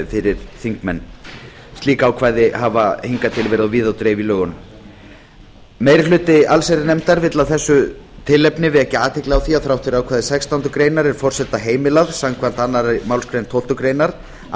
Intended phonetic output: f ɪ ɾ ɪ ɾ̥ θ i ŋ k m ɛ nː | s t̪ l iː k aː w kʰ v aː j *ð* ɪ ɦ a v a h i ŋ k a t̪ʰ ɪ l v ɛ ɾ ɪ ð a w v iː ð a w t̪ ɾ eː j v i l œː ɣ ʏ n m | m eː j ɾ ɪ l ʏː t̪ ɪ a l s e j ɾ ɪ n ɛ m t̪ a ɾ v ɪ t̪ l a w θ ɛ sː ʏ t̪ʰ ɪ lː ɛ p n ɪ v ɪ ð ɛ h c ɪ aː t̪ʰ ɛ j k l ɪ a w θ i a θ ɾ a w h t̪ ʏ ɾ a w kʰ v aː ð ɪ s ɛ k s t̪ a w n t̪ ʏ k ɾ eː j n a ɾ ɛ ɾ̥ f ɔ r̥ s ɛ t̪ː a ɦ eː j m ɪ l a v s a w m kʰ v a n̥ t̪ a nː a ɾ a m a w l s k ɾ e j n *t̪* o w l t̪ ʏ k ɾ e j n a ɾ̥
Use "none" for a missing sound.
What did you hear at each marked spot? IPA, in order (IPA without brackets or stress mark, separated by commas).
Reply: ð, t̪ʰ